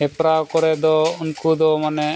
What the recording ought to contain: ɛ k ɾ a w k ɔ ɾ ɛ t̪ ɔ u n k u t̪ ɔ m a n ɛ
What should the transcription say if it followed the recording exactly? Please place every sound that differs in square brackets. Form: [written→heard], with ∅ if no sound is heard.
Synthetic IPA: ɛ [k→p] ɾ a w k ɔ ɾ ɛ [t̪→d̪] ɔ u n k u [t̪→d̪] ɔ m a n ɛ